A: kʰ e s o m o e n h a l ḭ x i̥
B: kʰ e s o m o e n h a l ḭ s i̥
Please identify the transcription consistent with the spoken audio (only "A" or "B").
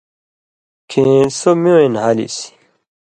B